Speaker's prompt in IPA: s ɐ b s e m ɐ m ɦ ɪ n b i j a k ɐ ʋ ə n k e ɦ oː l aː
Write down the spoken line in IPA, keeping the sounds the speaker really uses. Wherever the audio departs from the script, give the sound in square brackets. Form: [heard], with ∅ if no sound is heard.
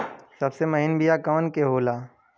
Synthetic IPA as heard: s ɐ b s e m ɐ [∅] ɦ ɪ n b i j a k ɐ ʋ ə n k e ɦ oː l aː